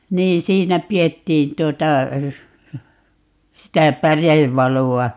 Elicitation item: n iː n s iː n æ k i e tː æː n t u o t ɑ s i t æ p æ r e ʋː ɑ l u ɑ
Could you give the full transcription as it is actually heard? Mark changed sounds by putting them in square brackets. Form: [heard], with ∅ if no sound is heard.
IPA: n iː n s iː n æ [p] i e tː [iː] n t u o t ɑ s i t æ p æ r e ʋː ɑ l u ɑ